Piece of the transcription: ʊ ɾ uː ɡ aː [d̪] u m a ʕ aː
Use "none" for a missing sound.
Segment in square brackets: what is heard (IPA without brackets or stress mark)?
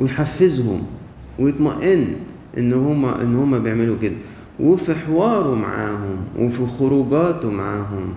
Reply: t̪